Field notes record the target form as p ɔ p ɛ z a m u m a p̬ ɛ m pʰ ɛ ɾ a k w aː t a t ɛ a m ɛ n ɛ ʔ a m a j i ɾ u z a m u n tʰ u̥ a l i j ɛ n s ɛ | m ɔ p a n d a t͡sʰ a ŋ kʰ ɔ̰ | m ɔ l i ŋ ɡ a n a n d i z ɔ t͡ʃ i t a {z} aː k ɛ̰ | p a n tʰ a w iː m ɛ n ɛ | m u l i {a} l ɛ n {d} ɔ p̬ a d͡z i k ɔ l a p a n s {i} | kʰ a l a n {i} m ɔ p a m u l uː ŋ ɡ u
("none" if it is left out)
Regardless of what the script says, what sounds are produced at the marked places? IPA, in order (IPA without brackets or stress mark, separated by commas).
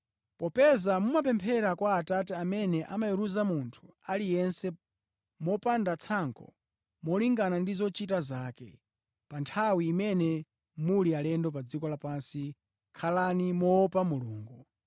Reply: z, a, d, i, i